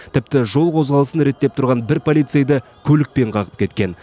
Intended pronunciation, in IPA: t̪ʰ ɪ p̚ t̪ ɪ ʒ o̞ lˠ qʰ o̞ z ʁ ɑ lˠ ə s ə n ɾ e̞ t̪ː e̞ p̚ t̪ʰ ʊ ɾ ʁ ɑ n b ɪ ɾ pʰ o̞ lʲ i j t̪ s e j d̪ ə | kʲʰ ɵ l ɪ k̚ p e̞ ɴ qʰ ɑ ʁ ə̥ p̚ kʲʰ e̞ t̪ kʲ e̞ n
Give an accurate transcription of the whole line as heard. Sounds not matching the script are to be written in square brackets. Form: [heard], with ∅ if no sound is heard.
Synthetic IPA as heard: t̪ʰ ɪ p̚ t̪ ɪ ʒ o̞ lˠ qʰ o̞ z ʁ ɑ lˠ ə s ə n ɾ e̞ t̪ː e̞ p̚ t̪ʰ ʊ ɾ ʁ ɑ n b ɪ ɾ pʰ o̞ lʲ i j t̪ s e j d̪ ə | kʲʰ ɵ l ɪ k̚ p e̞ ɴ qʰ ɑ ʁ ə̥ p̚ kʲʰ e̞ t̪ kʲ e̞ n